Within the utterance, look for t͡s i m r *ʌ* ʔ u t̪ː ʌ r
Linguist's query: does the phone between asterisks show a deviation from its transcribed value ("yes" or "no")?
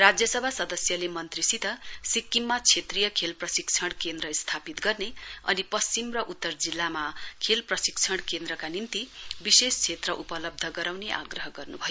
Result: no